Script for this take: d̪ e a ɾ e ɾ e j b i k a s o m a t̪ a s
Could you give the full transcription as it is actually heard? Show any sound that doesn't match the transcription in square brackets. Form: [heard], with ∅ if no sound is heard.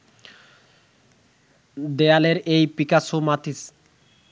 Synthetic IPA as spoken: d̪ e a [l] e ɾ e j [p] i k a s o m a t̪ [i] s